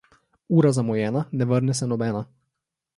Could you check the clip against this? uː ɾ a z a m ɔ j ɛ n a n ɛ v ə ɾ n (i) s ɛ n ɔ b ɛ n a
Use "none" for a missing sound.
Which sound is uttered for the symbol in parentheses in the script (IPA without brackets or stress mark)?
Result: ɛ